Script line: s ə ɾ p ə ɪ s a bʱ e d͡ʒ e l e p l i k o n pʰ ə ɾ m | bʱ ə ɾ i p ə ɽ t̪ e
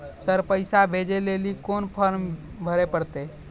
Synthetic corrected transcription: s ə ɾ p ə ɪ s a bʱ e d͡ʒ e l e l i k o n pʰ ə ɾ m | bʱ ə ɾ e p ə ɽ t̪ e